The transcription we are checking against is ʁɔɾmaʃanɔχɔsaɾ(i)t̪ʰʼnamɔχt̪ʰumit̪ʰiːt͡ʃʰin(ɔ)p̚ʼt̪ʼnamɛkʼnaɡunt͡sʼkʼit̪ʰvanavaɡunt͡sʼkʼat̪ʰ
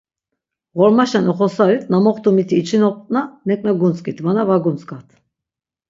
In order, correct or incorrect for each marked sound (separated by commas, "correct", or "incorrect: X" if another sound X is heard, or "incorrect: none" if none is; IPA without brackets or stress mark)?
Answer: correct, correct